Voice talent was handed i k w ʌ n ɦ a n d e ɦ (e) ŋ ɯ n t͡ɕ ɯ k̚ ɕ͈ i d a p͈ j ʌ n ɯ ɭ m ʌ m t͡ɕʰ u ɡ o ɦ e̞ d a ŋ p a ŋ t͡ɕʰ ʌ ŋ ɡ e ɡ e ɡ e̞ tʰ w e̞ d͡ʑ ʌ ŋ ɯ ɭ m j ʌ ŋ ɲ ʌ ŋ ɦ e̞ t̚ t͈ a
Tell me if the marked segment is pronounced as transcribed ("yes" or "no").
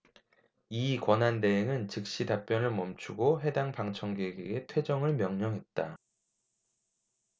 yes